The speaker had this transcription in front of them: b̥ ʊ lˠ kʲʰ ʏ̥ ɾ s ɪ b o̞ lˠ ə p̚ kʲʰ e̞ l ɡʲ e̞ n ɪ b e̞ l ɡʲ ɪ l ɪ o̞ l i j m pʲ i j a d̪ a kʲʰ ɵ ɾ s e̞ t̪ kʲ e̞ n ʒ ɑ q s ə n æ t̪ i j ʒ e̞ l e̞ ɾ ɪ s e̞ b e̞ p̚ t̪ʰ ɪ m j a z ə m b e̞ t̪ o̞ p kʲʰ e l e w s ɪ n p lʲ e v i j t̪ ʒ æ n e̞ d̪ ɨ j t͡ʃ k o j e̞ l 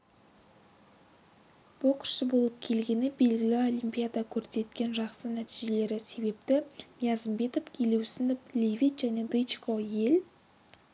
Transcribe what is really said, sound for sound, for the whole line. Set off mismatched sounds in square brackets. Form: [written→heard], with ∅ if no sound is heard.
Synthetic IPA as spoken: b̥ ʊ lˠ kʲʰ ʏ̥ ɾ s ɪ b o̞ lˠ ə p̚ kʲʰ e̞ l ɡʲ e̞ n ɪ b e̞ l ɡʲ ɪ l ɪ o̞ l i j m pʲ i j a d̪ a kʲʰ ɵ ɾ s e̞ t̪ kʲ e̞ n ʒ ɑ q s ə n æ t̪ i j ʒ e̞ l e̞ ɾ ɪ s e̞ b e̞ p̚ [t̪ʰ→t̪] ɪ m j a z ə m b e̞ t̪ o̞ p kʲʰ e l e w s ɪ n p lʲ e v i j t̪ ʒ æ n e̞ d̪ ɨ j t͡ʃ k o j e̞ l